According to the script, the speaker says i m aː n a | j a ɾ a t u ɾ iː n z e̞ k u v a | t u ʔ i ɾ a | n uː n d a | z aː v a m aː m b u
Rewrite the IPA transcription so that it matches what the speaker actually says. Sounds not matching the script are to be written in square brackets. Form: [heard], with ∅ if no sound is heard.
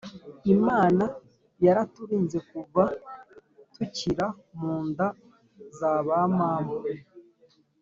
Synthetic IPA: i m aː n a | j a ɾ a t u ɾ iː n z e̞ k u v a | t u [c] i ɾ a | [m] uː n d a | z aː [β] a m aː m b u